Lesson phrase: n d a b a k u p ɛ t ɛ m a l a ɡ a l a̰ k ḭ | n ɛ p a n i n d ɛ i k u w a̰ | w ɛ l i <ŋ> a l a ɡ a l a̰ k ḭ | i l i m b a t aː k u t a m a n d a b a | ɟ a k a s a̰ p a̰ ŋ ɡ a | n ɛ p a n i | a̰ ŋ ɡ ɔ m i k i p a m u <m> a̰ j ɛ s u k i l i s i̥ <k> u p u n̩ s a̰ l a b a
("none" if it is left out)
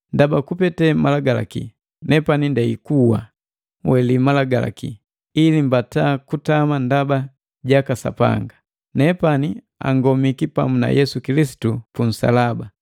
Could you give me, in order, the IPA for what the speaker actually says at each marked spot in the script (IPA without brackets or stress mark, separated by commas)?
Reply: m, n, t